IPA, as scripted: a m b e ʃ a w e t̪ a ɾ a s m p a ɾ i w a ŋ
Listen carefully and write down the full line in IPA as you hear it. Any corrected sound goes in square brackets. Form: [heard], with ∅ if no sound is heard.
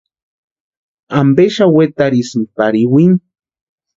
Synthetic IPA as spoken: a m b e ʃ a w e t̪ a ɾ [i] s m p a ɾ i w [i] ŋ